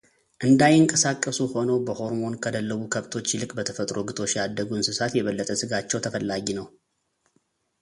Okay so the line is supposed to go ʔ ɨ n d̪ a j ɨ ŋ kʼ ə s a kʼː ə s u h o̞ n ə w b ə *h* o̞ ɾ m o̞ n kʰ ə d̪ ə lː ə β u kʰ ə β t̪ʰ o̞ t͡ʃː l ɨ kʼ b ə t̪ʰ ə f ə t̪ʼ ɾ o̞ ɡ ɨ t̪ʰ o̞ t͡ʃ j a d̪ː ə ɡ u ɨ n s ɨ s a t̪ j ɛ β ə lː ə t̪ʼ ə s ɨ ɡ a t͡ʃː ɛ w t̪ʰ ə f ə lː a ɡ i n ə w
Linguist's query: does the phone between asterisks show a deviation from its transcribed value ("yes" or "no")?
no